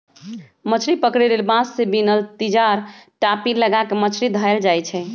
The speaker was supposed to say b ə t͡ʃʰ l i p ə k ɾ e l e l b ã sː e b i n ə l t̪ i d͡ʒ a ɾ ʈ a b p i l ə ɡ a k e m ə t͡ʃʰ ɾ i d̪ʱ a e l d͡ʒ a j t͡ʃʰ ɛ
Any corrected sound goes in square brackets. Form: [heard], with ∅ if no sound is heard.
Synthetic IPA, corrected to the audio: [m] ə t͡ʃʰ [ɾ] i p ə k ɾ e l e l b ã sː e b i n ə l t̪ i d͡ʒ a ɾ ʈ a [∅] p i l ə ɡ a k e m ə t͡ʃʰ ɾ i d̪ʱ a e l d͡ʒ a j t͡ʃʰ ɛ